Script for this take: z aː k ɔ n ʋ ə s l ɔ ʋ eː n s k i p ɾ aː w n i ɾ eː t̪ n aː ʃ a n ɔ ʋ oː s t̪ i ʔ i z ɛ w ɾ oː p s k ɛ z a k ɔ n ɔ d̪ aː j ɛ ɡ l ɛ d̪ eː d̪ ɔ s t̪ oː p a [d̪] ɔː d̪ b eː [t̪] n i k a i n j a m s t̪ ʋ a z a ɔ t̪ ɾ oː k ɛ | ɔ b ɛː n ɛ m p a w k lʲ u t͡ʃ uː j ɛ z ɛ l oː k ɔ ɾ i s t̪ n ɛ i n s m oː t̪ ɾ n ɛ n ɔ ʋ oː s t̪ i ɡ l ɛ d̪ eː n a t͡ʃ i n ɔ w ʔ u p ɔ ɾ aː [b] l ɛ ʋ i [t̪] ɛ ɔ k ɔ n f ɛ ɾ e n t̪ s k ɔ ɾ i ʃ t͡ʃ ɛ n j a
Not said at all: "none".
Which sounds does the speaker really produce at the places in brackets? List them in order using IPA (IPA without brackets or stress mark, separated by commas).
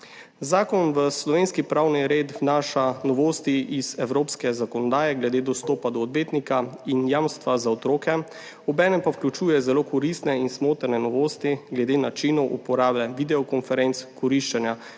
d̪, t̪, b, d̪